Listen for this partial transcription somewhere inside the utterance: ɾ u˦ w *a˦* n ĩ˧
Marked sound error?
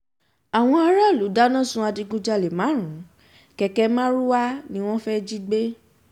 no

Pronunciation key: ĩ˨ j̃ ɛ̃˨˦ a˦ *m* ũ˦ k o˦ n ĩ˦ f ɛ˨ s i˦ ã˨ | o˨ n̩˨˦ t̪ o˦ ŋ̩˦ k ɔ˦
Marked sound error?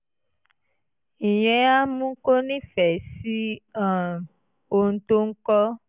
no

